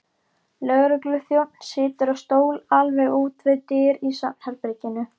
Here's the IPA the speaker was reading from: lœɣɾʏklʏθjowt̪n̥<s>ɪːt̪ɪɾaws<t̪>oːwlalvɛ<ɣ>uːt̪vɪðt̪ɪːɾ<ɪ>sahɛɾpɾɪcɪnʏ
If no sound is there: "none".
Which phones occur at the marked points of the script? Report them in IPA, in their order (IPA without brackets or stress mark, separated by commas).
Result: s, t̪, ɣ, i